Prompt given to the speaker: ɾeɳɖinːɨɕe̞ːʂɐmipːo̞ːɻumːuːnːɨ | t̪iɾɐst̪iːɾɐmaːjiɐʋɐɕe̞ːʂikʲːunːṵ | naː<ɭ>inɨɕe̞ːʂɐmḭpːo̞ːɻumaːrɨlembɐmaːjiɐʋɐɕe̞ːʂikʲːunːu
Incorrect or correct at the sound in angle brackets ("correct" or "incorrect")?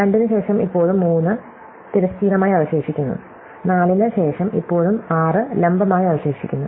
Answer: incorrect